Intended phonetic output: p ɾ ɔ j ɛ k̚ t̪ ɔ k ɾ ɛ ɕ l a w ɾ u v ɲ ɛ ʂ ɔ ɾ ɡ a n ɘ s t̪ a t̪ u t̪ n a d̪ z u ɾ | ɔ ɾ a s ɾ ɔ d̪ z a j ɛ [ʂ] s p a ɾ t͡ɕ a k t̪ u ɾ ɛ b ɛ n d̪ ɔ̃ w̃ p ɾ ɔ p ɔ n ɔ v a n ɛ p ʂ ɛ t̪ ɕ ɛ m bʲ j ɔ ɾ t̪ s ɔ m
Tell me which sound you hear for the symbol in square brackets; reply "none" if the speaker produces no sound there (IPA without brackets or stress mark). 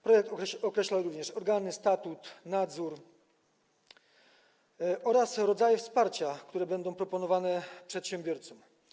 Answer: f